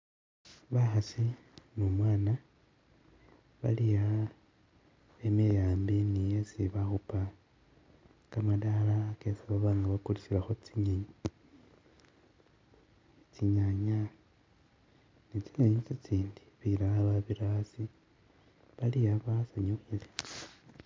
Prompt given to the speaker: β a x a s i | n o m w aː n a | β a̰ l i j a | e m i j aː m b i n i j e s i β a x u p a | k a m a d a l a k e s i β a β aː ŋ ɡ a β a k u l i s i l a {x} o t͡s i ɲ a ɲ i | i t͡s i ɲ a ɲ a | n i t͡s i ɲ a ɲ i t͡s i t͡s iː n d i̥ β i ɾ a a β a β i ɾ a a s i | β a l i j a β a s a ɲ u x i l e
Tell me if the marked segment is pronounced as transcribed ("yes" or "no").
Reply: yes